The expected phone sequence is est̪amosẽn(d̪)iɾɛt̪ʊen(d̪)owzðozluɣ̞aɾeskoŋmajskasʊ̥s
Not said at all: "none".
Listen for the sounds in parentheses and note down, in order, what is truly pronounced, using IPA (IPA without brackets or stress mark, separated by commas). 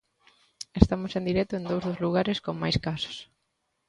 d̪, d̪